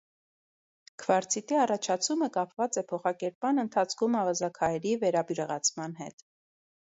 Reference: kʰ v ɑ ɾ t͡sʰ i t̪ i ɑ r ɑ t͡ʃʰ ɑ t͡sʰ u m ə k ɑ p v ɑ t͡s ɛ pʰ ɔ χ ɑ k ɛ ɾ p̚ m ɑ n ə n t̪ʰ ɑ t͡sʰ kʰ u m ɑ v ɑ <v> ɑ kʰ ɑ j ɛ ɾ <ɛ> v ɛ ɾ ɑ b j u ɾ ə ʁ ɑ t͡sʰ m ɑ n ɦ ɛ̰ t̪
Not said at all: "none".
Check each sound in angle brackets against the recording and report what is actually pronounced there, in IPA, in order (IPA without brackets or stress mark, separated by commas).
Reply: z, i